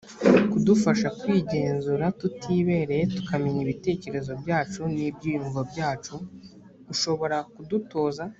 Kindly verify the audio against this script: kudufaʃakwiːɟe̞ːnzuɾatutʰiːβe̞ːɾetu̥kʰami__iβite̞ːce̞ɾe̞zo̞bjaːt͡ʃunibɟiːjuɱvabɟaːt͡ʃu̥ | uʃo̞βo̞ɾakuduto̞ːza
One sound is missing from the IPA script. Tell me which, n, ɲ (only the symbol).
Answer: ɲ